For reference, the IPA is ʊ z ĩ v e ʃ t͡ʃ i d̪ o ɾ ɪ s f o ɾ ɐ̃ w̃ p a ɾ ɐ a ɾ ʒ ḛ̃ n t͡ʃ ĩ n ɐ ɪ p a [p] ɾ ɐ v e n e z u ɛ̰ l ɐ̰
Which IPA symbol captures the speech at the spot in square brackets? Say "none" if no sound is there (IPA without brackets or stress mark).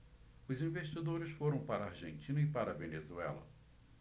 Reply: none